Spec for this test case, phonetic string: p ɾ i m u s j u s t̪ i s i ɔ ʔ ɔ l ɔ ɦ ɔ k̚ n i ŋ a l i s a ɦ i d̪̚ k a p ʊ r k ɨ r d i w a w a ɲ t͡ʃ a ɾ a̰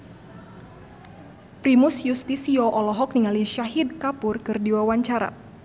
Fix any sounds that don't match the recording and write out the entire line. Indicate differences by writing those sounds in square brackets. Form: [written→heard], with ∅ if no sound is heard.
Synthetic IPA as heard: p ɾ i m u s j u s t̪ i s i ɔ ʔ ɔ l ɔ ɦ ɔ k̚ n i ŋ a l i [s→ʃ] a ɦ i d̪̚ k a p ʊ r k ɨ r d i w a w a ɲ t͡ʃ a ɾ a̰